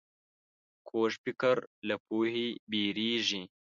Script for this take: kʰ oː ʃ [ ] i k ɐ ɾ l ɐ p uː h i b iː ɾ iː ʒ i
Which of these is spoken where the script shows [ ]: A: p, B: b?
A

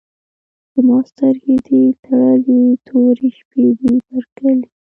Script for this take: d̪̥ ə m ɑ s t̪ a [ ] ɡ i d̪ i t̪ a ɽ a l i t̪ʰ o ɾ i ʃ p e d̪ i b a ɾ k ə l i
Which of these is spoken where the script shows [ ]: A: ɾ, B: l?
A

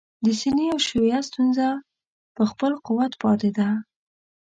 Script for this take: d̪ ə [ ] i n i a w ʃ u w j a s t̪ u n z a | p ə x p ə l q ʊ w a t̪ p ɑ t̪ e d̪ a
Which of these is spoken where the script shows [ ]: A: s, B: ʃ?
A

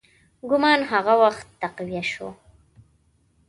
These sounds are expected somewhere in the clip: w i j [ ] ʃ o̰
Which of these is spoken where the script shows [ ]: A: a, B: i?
A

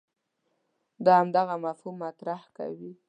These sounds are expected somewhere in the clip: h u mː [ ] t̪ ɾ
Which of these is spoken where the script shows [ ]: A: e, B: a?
B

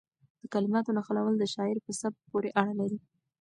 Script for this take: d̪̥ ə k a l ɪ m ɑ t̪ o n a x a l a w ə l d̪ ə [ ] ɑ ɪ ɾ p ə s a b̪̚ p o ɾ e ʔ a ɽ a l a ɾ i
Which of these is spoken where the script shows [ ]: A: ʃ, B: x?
A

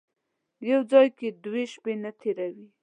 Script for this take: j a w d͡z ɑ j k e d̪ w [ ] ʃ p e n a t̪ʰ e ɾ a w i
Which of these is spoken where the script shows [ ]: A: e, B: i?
A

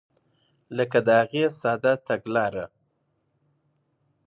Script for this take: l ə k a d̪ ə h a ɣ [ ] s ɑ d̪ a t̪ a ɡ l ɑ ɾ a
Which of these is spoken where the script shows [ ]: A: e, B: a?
A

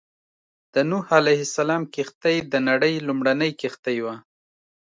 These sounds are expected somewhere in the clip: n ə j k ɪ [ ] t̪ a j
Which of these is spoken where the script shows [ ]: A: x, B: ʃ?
A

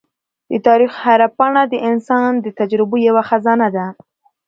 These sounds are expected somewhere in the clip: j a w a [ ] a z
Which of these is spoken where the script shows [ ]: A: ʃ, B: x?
B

